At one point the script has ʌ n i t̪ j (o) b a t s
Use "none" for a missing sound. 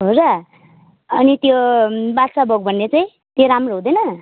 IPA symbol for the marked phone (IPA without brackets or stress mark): o